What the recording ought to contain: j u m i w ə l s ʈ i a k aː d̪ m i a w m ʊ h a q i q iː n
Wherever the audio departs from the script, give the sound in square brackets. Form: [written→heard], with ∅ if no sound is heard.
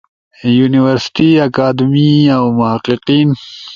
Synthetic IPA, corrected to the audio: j u [m→n] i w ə [l→ɾ] s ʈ i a k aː d̪ m i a w m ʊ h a q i q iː n